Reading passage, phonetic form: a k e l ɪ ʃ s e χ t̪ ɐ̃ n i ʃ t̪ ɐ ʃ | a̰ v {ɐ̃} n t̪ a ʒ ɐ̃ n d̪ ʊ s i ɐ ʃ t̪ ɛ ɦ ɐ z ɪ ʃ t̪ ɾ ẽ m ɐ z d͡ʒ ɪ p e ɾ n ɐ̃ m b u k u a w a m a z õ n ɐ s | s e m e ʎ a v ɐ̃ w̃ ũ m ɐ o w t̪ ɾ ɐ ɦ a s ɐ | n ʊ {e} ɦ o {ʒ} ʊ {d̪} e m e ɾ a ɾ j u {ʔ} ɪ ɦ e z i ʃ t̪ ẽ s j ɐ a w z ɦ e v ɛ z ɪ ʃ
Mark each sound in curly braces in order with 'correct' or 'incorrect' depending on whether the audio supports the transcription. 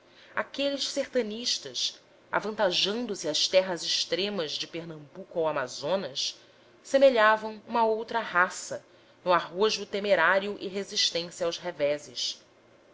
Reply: correct, incorrect: a, correct, incorrect: t̪, correct

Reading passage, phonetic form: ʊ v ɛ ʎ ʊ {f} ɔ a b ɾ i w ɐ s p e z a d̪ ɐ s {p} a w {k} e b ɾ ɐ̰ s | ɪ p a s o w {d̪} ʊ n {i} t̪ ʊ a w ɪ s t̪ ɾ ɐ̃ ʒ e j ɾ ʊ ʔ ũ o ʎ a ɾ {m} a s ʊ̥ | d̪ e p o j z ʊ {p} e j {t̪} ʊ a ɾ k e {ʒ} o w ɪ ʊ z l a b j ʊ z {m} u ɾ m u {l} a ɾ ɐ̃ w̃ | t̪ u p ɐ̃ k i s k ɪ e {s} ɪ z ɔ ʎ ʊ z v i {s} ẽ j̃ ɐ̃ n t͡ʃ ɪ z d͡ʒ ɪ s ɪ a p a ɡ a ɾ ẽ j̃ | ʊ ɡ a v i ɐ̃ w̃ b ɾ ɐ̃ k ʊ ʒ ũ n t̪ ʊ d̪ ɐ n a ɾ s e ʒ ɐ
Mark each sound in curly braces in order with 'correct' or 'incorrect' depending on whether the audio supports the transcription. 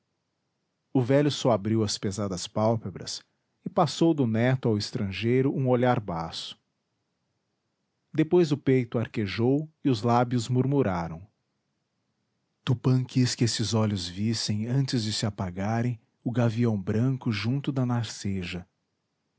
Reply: incorrect: s, correct, incorrect: p, correct, incorrect: ɛ, incorrect: b, correct, correct, correct, correct, incorrect: ɾ, correct, correct

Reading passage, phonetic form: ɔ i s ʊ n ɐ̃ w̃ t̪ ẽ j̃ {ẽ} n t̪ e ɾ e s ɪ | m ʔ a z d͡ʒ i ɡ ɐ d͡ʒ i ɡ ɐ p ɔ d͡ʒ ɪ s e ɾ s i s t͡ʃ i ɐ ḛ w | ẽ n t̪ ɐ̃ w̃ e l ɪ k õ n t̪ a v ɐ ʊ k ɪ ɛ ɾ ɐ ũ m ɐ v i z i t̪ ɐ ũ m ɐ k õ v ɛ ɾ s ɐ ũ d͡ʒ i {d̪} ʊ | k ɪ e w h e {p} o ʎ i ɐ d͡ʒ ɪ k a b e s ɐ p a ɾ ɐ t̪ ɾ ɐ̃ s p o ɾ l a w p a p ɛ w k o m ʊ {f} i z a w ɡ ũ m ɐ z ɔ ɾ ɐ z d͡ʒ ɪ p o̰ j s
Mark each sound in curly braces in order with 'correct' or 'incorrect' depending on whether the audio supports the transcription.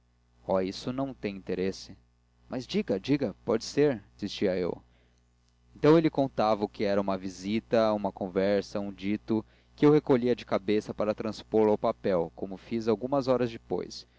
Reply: incorrect: ĩ, incorrect: t̪, incorrect: k, correct

